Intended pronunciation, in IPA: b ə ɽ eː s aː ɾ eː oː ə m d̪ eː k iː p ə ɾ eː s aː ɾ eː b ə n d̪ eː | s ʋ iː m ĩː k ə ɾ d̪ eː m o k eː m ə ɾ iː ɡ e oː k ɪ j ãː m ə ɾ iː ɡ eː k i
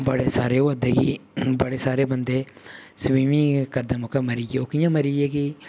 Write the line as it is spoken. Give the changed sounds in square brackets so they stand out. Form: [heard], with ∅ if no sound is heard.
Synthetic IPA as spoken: b ə ɽ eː s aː ɾ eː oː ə [∅] d̪ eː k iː [b] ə [ɽ] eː s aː ɾ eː b ə n d̪ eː | s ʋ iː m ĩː k ə ɾ d̪ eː m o k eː m ə ɾ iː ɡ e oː k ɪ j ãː m ə ɾ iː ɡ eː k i